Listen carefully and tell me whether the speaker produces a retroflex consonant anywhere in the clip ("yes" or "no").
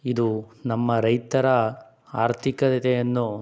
no